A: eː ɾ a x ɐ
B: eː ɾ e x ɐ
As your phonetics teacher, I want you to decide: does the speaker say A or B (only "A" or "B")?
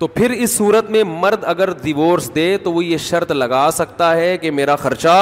A